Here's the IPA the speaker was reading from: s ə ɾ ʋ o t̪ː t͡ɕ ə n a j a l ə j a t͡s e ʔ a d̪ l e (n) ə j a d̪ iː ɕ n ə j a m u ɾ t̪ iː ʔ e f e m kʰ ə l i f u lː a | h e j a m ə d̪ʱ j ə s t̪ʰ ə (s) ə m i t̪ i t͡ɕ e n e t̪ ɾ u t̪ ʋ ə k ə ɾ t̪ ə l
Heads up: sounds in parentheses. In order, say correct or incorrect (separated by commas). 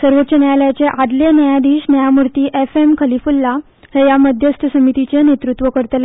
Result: correct, correct